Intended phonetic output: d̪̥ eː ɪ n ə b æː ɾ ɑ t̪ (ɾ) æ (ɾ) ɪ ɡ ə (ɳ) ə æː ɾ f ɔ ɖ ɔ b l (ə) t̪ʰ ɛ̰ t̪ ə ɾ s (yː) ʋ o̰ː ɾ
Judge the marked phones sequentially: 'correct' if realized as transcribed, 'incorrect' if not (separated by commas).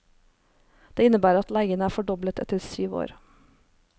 incorrect, incorrect, incorrect, correct, correct